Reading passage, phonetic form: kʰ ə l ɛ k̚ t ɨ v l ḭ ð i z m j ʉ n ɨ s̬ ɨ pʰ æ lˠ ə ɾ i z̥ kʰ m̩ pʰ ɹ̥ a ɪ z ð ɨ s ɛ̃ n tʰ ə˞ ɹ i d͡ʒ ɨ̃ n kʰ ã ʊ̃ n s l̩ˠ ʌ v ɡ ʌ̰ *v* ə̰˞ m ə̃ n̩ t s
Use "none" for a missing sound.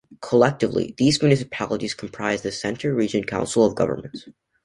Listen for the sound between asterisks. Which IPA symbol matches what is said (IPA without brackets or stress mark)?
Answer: v